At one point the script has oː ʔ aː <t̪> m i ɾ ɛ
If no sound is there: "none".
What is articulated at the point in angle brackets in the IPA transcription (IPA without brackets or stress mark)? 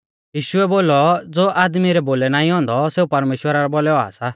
d̪